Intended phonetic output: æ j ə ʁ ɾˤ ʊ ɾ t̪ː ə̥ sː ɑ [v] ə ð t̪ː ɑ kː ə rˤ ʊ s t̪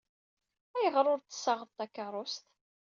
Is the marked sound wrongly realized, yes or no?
yes